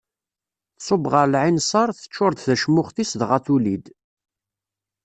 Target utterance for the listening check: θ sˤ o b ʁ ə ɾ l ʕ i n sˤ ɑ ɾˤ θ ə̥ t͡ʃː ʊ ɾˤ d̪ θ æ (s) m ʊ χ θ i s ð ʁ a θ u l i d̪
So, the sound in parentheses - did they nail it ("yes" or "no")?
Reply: no